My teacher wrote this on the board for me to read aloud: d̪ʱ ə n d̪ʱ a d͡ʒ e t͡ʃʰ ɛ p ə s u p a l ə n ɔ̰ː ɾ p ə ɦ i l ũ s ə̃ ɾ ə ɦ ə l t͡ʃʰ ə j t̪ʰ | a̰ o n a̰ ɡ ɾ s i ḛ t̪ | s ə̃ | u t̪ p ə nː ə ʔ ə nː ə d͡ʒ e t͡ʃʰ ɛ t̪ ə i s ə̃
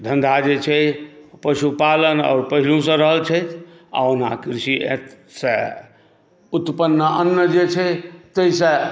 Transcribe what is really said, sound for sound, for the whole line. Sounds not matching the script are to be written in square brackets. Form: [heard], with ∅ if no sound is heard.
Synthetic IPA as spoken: d̪ʱ ə n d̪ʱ a d͡ʒ e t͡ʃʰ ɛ p ə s u p a l ə n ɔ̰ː ɾ p ə ɦ i l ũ s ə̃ ɾ ə ɦ ə l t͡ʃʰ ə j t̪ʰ | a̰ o n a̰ [k] ɾ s i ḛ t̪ | s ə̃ | u t̪ p ə nː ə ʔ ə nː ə d͡ʒ e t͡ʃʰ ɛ t̪ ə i s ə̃